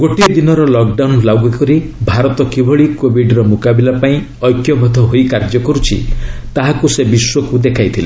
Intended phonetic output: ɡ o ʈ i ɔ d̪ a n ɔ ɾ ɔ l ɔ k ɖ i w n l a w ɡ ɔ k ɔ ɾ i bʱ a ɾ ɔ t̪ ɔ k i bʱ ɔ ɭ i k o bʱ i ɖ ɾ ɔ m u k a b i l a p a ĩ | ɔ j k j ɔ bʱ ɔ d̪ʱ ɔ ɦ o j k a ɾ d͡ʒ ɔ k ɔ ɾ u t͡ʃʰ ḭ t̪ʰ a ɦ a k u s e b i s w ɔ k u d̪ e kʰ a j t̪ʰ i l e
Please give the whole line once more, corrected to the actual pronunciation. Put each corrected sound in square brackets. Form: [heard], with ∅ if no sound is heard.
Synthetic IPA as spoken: ɡ o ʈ i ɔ d̪ [i] n ɔ ɾ ɔ l ɔ k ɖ [a] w n l a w ɡ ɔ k ɔ ɾ i bʱ a ɾ ɔ t̪ ɔ k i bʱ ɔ ɭ i k o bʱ i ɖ ɾ ɔ m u k a b i l a p a ĩ | ɔ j k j ɔ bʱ ɔ d̪ʱ ɔ ɦ o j k a ɾ d͡ʒ ɔ k ɔ ɾ u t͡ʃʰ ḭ [t̪] a ɦ a k u s e b i s w ɔ k u d̪ e kʰ a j t̪ʰ i l e

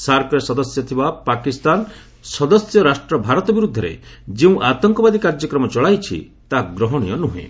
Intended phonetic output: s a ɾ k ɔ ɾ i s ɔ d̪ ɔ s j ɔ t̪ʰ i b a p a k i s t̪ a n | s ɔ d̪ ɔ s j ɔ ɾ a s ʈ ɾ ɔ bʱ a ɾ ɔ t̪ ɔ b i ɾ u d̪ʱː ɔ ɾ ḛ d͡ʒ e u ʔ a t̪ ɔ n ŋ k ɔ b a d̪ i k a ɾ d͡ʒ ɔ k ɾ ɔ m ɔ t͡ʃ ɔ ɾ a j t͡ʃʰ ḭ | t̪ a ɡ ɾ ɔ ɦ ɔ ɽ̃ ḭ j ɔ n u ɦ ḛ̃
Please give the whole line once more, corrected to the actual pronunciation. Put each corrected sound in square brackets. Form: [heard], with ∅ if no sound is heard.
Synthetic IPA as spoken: s a ɾ k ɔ ɾ [e] s ɔ d̪ ɔ s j ɔ t̪ʰ i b a p a k i s t̪ a n | s ɔ d̪ ɔ s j ɔ ɾ a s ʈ ɾ ɔ bʱ a ɾ ɔ t̪ ɔ b i ɾ u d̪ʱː ɔ ɾ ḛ d͡ʒ e [ũ] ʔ a t̪ ɔ [∅] ŋ k ɔ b a d̪ i k a ɾ d͡ʒ ɔ k ɾ ɔ m ɔ t͡ʃ ɔ [ɭ] a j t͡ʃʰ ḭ | t̪ a ɡ ɾ ɔ ɦ ɔ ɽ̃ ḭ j ɔ n u ɦ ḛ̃

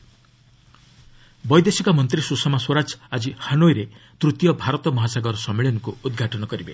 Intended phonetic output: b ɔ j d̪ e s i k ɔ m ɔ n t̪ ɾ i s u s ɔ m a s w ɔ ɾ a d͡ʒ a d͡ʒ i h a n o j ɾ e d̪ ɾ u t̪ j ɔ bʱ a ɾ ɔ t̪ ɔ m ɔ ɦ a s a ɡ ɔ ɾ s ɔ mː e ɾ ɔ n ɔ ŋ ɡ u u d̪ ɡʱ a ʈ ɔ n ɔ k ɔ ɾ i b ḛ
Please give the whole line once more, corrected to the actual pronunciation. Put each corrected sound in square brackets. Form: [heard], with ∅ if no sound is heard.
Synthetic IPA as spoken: b ɔ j d̪ e s i k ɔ m ɔ n t̪ ɾ i s u s ɔ m a s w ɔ ɾ a d͡ʒ a d͡ʒ i h a n o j ɾ e [t̪] ɾ u t̪ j ɔ bʱ a ɾ ɔ t̪ ɔ m ɔ ɦ a s a ɡ ɔ ɾ s ɔ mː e [ɭ] ɔ n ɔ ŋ [k] u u d̪ ɡʱ a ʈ ɔ n ɔ k ɔ ɾ i b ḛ

